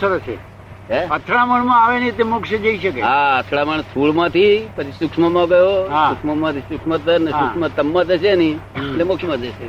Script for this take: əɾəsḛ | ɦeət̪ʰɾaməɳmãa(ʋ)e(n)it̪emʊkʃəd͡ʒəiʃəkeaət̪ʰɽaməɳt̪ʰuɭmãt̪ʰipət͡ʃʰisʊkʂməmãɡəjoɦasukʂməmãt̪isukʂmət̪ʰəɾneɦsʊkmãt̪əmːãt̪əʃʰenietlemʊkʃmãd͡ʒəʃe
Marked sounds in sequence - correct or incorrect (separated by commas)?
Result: correct, correct